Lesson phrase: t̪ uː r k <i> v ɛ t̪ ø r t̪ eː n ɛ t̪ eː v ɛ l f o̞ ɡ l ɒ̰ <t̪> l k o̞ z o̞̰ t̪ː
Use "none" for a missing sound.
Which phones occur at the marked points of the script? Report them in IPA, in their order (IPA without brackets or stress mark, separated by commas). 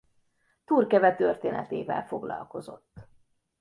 ɛ, none